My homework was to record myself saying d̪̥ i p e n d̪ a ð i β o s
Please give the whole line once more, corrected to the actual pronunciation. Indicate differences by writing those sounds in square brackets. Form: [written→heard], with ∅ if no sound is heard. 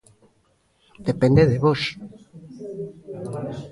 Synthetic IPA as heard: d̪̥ [i→e] p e n d̪ [a→e] ð [i→e] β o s